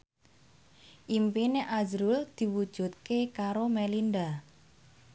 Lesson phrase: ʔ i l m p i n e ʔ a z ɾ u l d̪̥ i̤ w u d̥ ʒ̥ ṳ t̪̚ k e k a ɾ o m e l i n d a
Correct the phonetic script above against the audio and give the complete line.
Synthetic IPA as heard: ʔ i m p i n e ʔ a z ɾ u l d̪̥ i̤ w u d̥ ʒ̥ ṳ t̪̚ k e k a ɾ o m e l i n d a